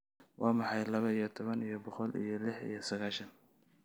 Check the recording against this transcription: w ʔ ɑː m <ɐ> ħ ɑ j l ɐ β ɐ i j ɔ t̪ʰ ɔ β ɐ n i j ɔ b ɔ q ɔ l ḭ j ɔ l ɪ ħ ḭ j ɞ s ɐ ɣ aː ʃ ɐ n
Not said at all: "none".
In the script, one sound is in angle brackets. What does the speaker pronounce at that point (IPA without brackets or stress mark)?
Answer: ɑ